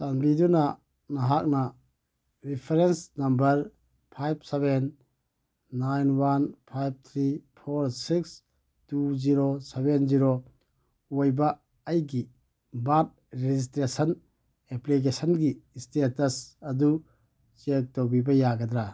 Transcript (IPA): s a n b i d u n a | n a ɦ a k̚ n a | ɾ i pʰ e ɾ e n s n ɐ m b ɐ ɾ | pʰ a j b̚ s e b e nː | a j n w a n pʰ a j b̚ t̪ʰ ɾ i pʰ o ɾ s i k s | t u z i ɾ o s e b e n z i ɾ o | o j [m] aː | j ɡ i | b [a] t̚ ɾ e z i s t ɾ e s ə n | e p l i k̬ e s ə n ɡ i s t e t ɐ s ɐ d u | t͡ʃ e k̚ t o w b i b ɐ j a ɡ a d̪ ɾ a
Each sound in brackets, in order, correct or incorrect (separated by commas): incorrect, correct